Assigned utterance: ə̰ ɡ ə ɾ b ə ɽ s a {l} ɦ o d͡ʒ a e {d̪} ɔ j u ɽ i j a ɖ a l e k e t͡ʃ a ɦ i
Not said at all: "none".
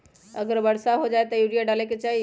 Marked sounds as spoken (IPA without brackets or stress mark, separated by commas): none, t̪